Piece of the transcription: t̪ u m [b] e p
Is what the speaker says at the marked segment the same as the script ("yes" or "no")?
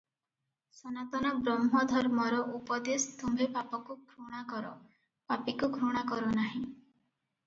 yes